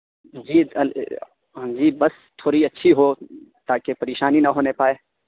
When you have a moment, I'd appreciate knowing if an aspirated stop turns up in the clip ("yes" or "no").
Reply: yes